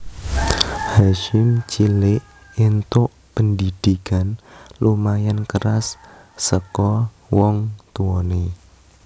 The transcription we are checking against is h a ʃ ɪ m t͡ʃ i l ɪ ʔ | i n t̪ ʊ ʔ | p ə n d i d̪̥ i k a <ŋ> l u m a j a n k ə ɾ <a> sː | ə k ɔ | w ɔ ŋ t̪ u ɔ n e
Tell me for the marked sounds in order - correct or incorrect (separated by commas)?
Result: incorrect, correct